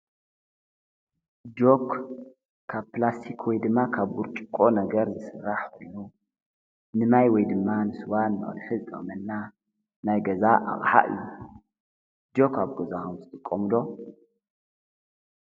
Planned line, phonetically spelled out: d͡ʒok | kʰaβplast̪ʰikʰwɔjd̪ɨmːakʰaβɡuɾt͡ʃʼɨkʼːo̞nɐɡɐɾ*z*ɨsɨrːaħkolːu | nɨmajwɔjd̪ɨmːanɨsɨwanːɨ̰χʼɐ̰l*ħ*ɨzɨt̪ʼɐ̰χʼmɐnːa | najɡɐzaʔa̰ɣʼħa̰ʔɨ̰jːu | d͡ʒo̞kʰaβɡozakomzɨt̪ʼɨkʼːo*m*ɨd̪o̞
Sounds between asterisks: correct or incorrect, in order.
correct, correct, correct

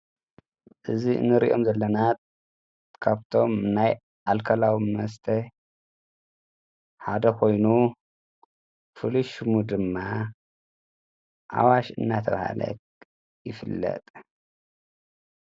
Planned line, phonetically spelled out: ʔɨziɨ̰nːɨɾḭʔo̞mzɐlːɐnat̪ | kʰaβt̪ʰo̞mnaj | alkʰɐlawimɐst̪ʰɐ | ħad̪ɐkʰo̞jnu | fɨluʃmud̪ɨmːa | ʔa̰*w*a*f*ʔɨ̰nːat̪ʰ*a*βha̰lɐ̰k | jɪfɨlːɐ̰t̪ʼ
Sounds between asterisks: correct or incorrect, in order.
correct, incorrect: ʃ, incorrect: ɐ

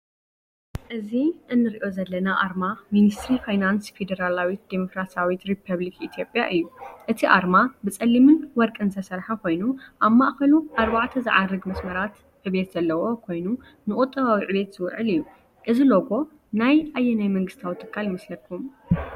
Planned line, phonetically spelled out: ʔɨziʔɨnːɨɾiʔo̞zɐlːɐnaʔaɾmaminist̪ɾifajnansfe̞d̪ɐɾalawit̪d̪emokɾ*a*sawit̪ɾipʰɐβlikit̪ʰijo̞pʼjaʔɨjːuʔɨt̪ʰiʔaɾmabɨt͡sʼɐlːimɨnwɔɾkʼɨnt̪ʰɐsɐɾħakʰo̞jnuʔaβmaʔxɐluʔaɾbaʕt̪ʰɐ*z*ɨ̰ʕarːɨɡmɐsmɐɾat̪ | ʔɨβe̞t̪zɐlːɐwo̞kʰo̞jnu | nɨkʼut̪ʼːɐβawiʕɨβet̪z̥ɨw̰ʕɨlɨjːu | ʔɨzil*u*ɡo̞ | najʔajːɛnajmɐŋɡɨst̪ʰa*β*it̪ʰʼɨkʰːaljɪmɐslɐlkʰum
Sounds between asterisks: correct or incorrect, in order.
correct, correct, incorrect: o, incorrect: w

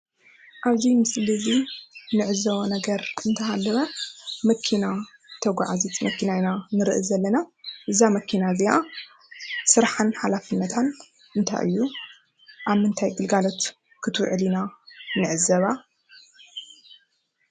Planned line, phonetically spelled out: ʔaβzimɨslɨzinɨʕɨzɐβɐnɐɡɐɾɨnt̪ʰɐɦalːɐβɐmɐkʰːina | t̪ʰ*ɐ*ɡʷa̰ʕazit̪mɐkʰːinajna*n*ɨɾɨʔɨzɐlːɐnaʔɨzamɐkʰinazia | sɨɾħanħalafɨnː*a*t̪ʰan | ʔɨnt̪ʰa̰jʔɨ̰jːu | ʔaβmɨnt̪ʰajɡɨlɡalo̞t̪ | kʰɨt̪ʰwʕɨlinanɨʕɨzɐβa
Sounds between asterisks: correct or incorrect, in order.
correct, correct, incorrect: ɐ

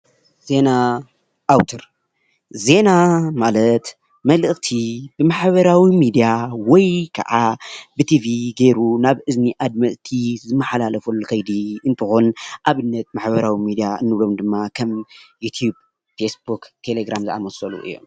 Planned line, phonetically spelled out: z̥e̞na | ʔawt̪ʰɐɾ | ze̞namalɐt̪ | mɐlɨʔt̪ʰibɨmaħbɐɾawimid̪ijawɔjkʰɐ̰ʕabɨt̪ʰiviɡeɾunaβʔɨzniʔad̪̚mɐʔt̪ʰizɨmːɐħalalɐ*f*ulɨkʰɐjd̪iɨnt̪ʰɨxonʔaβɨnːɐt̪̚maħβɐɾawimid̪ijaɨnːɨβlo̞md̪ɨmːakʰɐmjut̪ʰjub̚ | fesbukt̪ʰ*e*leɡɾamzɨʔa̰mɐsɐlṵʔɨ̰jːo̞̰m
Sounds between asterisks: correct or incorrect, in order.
correct, correct

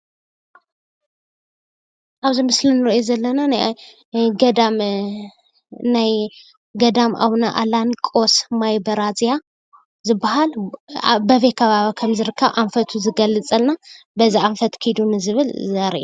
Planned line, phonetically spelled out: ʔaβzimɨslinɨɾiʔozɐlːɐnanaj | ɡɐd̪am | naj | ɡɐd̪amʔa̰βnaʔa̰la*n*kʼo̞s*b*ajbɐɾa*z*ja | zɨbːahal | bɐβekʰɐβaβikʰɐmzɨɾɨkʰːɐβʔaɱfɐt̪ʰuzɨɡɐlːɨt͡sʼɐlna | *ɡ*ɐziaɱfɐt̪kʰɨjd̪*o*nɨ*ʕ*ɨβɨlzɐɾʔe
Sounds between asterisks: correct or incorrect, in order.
correct, incorrect: m, correct, incorrect: b, incorrect: u, incorrect: z

